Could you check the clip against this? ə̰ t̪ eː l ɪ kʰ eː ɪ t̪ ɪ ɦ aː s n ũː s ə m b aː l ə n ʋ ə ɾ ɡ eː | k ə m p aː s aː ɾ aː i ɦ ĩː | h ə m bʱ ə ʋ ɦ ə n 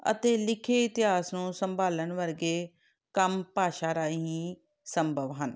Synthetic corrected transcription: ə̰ t̪ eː l ɪ kʰ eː ɪ t̪ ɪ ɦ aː s n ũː s ə m b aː l ə n ʋ ə ɾ ɡ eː | k ə m p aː ʃ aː ɾ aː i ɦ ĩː | s ə m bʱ ə ʋ ɦ ə n

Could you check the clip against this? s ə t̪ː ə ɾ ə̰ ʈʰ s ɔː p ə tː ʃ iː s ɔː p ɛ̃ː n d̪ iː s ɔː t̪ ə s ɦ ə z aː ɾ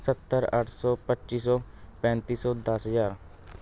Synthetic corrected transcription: s ə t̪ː ə ɾ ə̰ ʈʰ s ɔː p ə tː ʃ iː s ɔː p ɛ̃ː n t̪ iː s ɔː d̪ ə s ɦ ə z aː ɾ

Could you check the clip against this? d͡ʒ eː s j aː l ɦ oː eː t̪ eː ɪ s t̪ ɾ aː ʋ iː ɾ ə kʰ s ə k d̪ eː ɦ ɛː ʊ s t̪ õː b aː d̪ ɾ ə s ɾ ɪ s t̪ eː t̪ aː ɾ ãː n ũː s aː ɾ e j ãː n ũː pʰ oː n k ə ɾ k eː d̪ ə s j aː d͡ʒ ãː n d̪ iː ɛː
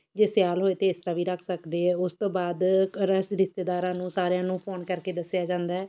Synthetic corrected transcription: d͡ʒ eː s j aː l ɦ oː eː t̪ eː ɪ s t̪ ɾ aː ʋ iː ɾ ə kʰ s ə k d̪ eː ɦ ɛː ʊ s t̪ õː b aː d̪ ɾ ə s ɾ ɪ s t̪ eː d̪ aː ɾ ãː n ũː s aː ɾ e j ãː n ũː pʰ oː n k ə ɾ k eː d̪ ə s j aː d͡ʒ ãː n d̪ aː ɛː

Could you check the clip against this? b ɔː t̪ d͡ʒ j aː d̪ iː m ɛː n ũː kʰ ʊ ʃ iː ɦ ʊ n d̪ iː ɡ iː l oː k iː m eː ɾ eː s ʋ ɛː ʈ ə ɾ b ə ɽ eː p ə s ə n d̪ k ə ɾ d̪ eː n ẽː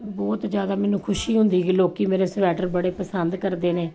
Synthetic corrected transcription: b ɔː t̪ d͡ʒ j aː d̪ aː m ɛː n ũː kʰ ʊ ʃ iː ɦ ʊ n d̪ iː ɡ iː l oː k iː m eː ɾ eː s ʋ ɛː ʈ ə ɾ b ə ɽ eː p ə s ə n d̪ k ə ɾ d̪ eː n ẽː

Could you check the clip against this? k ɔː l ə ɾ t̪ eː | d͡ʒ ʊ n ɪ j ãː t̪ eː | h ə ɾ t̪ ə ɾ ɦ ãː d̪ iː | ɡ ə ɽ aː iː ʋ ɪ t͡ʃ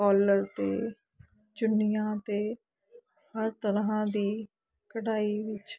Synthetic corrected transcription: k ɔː l ə ɾ t̪ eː | d͡ʒ ʊ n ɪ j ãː t̪ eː | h ə ɾ t̪ ə ɾ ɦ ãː d̪ iː | k ə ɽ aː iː ʋ ɪ t͡ʃ

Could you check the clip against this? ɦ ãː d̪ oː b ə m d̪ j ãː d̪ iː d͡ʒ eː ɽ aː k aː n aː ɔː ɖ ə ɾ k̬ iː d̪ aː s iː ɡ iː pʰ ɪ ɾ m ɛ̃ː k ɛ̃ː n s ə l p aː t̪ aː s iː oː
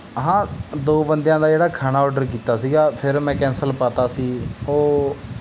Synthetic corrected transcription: ɦ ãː d̪ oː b ə n d̪ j ãː d̪ aː d͡ʒ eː ɽ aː kʰ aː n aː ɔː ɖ ə ɾ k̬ iː t̪ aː s iː ɡ aː pʰ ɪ ɾ m ɛ̃ː k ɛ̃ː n s ə l p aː t̪ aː s iː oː

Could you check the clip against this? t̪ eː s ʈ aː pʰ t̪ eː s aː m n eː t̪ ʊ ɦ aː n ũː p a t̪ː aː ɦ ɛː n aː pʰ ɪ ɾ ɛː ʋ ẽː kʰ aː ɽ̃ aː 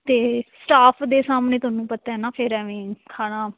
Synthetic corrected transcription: t̪ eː s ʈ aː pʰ d̪ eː s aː m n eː t̪ ʊ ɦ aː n ũː p ə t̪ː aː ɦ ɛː n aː pʰ ɪ ɾ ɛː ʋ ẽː kʰ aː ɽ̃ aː

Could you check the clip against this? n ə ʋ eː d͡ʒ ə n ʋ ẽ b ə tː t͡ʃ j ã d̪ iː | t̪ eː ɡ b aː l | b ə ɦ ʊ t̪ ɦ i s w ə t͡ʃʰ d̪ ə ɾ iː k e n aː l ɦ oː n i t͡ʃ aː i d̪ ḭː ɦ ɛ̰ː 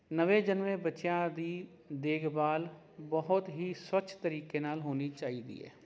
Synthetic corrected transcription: n ə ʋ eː d͡ʒ ə n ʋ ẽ b ə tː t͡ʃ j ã d̪ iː | d̪ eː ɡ b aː l | b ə ɦ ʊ t̪ ɦ i s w ə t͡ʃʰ t̪ ə ɾ iː k e n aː l ɦ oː n i t͡ʃ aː i d̪ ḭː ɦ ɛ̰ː

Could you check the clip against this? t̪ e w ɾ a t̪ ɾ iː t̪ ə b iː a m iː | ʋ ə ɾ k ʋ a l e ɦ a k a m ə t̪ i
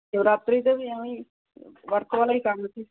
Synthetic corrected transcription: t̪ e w ɾ a t̪ ɾ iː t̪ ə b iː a m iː | ʋ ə ɾ k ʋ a l a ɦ i k a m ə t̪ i

